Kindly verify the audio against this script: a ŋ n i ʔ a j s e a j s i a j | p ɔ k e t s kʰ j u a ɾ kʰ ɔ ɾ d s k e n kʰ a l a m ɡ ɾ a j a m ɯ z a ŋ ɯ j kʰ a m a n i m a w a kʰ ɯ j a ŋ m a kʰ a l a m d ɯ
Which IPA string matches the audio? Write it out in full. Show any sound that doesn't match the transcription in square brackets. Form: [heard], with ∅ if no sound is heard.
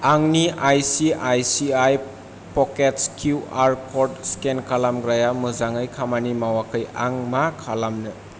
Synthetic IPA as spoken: a ŋ n i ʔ a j s [i] a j s i a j | p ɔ k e t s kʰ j u a ɾ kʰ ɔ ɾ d s k e n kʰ a l a m ɡ ɾ a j a m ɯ z a ŋ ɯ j kʰ a m a n i m a w a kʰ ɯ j a ŋ m a kʰ a l a m [n] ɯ